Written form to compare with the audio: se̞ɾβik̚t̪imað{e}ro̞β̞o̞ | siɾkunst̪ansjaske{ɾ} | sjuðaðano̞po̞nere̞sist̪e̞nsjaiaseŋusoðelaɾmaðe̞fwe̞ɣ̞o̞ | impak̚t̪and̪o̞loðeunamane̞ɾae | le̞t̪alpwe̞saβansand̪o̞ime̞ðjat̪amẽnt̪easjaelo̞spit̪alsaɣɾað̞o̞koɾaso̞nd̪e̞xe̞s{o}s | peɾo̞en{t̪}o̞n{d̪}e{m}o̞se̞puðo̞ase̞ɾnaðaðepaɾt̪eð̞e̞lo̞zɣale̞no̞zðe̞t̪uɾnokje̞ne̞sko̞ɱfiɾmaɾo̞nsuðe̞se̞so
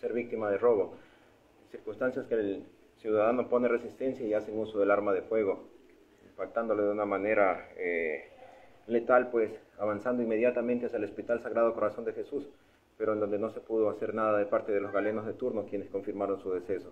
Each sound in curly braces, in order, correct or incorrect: correct, incorrect: l, incorrect: u, incorrect: d̪, correct, incorrect: n

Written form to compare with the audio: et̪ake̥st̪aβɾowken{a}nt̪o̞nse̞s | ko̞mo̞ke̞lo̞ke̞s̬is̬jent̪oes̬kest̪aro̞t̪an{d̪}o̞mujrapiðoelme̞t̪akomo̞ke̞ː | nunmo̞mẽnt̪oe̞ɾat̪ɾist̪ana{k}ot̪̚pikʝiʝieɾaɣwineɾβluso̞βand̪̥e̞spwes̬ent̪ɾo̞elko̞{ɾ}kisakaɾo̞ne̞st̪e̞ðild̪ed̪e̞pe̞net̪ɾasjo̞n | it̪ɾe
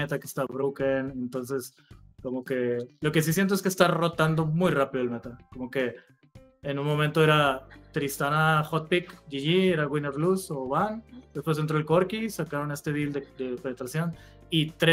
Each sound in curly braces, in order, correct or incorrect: incorrect: e, correct, incorrect: x, correct

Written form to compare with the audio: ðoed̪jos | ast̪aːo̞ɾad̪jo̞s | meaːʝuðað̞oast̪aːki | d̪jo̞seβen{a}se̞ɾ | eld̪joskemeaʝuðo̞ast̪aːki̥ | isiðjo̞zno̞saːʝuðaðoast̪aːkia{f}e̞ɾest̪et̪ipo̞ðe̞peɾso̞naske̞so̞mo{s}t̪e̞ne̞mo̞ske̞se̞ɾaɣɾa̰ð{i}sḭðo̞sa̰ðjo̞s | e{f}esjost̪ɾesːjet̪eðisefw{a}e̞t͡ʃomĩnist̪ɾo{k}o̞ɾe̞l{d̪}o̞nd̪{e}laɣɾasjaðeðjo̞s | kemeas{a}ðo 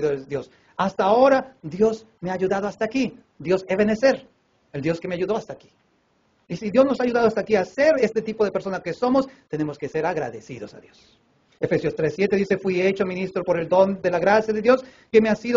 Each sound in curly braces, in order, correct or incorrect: incorrect: e, incorrect: s, correct, incorrect: e, correct, incorrect: i, incorrect: p, correct, correct, incorrect: i

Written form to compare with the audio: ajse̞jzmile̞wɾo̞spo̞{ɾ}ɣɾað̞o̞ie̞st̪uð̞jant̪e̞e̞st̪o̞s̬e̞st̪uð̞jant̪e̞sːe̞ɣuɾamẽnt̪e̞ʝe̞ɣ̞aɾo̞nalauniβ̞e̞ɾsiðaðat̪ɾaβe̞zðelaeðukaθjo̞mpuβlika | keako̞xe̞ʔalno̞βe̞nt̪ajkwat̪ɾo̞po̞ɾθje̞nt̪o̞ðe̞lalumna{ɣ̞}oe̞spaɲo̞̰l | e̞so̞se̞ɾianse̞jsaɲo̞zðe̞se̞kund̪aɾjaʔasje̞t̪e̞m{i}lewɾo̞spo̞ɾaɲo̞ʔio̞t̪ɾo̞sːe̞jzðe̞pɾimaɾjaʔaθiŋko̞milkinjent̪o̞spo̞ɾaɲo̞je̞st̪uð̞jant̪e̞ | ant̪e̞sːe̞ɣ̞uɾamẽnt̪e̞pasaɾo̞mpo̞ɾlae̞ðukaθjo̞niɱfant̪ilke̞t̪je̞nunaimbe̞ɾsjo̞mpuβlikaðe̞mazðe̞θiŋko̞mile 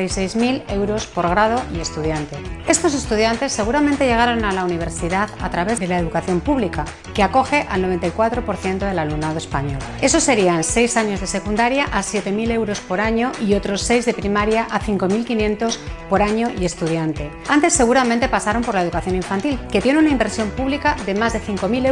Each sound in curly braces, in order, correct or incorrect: correct, incorrect: ð̞, correct

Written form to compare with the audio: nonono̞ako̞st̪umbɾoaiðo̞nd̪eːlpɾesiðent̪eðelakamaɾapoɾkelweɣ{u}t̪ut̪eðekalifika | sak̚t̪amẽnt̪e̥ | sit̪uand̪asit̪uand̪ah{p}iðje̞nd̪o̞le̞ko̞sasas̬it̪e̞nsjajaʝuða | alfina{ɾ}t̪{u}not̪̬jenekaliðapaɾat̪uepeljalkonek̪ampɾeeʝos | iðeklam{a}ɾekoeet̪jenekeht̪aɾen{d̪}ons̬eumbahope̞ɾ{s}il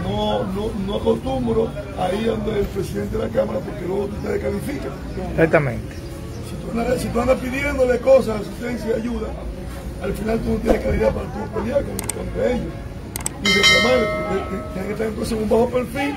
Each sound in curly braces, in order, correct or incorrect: incorrect: o, correct, incorrect: l, correct, correct, incorrect: t̪, incorrect: f

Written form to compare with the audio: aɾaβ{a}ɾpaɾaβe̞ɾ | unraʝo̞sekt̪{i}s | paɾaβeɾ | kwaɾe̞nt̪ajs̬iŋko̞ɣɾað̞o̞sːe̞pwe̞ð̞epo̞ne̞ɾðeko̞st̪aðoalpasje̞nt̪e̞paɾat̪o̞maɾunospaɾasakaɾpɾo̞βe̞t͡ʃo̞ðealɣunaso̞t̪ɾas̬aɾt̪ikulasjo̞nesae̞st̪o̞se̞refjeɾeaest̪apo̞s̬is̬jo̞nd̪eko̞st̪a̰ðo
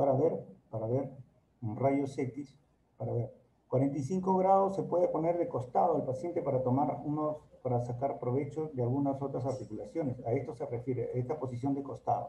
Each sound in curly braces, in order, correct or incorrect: incorrect: e, correct

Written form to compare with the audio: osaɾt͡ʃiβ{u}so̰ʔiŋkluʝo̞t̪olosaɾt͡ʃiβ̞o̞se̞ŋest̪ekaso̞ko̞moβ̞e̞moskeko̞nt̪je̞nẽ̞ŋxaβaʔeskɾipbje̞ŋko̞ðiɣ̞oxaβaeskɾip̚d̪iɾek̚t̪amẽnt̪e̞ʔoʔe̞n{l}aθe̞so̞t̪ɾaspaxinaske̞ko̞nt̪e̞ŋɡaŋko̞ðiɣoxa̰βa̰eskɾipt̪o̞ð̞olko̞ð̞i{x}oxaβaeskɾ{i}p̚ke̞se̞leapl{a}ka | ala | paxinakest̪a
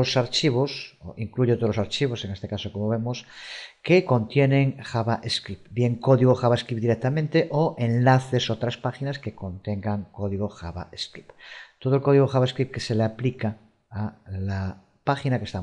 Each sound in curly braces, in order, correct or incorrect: incorrect: o, correct, incorrect: ɣ, correct, incorrect: i

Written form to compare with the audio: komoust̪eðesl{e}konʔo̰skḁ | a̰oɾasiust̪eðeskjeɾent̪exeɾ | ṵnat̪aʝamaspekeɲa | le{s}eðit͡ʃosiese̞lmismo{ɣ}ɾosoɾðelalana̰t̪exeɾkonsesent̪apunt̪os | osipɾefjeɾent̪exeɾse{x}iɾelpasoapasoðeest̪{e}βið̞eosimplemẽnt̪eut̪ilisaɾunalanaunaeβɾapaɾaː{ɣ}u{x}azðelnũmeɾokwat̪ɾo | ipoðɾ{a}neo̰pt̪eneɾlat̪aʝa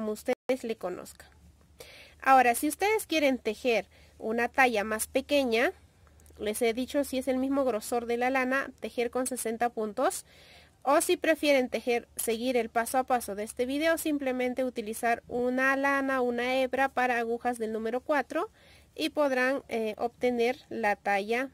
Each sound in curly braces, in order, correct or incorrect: correct, correct, correct, incorrect: ɣ, correct, correct, correct, correct

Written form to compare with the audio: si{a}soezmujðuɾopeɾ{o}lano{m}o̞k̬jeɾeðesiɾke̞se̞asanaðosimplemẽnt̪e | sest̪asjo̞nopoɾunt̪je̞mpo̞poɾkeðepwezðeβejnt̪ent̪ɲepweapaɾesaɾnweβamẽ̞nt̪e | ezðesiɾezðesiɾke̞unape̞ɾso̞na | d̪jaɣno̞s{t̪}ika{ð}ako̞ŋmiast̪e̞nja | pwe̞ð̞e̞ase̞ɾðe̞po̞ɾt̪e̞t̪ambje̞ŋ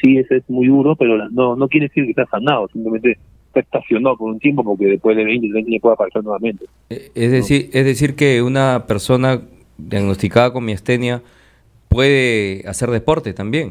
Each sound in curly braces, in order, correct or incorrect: incorrect: e, correct, incorrect: n, correct, correct

